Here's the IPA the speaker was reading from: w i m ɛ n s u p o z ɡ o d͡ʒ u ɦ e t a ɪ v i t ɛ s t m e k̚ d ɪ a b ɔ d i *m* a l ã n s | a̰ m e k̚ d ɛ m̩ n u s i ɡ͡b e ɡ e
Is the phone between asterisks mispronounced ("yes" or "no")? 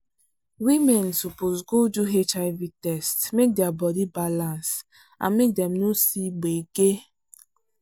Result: yes